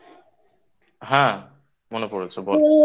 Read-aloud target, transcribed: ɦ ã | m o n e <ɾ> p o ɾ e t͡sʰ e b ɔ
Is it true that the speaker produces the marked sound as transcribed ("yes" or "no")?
no